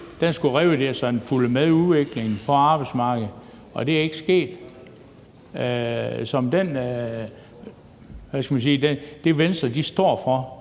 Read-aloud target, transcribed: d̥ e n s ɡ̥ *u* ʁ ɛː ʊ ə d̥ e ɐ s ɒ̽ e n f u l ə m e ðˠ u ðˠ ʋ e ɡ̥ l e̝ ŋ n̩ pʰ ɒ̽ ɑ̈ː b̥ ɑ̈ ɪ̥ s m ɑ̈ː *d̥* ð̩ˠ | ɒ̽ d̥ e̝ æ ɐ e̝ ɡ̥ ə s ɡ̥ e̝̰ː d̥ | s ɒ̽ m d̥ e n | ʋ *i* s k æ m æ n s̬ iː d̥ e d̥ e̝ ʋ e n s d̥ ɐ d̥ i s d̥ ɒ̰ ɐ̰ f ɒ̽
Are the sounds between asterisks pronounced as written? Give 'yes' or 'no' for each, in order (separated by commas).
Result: yes, no, no